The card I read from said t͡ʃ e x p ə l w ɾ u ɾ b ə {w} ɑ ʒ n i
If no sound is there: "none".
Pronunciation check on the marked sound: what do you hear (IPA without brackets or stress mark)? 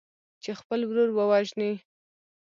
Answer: w